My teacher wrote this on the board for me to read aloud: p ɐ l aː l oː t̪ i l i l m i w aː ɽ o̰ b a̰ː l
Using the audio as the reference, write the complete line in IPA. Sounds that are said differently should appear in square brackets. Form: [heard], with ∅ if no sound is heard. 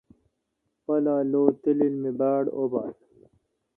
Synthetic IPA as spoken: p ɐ l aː l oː t̪ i l i l m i [b] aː ɽ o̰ b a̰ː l